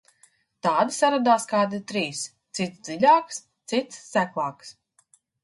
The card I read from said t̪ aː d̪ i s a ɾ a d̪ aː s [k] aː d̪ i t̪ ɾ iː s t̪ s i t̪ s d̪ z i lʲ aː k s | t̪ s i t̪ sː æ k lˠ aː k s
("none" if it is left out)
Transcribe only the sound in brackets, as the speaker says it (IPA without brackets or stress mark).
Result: k